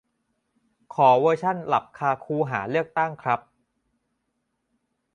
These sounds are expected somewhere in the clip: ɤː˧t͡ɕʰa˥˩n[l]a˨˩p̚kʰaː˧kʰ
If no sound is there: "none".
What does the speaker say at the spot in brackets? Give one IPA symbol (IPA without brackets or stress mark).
l